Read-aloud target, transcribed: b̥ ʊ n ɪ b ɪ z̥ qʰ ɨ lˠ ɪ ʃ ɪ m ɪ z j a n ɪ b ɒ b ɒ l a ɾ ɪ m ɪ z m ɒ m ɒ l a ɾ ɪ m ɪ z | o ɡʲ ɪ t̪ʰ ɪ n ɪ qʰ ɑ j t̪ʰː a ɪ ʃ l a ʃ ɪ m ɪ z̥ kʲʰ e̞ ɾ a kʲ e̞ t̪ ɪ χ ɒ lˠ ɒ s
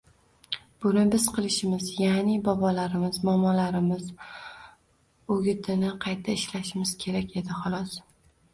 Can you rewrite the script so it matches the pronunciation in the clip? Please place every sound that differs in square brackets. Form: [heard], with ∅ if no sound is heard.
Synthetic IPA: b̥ ʊ n ɪ b ɪ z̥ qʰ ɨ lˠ ɪ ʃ ɪ m ɪ z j a n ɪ b ɒ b ɒ l a ɾ ɪ m ɪ z m ɒ m ɒ l a ɾ ɪ m ɪ z | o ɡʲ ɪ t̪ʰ ɪ n ɪ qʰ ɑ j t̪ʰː a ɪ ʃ l a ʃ ɪ m ɪ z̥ kʲʰ e̞ ɾ a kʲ e̞ [d̪] ɪ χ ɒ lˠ ɒ s